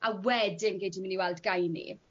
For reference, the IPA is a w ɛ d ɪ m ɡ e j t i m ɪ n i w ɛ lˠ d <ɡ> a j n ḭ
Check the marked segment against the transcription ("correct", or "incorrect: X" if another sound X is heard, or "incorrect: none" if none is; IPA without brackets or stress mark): correct